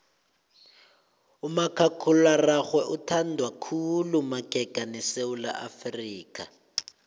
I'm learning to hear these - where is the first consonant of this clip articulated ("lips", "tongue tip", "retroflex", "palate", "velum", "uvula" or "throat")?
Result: lips